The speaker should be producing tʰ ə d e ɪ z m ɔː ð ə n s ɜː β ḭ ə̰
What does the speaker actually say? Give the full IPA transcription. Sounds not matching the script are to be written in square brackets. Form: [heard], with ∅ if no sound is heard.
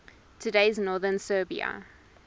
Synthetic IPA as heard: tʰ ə d e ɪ z [n] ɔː ð ə n s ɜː [b] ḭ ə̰

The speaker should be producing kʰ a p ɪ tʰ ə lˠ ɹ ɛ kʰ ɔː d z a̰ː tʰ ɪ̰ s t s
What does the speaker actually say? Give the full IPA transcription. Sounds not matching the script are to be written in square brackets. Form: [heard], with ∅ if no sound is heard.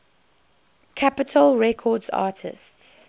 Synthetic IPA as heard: kʰ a p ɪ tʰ ə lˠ ɹ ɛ kʰ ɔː d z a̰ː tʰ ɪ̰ s t s

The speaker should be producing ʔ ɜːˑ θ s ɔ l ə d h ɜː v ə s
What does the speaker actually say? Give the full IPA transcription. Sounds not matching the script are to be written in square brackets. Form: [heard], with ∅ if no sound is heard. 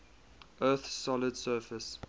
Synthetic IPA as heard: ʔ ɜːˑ θ s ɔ l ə d [s] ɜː [f] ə s

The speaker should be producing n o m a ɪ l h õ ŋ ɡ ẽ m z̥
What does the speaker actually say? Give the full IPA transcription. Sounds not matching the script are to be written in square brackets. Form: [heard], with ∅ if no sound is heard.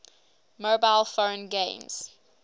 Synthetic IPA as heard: [m] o [b] a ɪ l [f] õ [n] ɡ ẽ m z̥

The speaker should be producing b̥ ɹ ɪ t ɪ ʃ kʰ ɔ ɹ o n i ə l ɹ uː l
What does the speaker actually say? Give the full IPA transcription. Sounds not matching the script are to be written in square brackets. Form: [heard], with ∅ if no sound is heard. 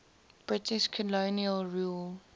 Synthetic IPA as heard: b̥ ɹ ɪ t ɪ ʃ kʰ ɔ [l] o n i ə l ɹ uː l

